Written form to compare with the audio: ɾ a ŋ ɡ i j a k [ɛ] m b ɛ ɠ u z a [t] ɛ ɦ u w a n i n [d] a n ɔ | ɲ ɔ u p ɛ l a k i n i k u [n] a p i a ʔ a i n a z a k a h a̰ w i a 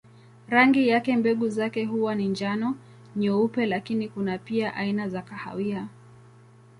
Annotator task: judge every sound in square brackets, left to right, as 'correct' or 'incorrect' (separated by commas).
correct, incorrect, incorrect, correct